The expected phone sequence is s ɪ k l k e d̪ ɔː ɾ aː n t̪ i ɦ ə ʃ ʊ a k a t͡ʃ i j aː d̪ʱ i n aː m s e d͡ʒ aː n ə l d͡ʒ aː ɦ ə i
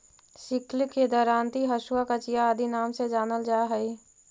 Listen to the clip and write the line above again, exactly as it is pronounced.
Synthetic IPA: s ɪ k l k e d̪ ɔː ɾ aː n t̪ i ɦ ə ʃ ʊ a k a t͡ʃ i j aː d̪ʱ i n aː m s e d͡ʒ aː n ə l d͡ʒ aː ɦ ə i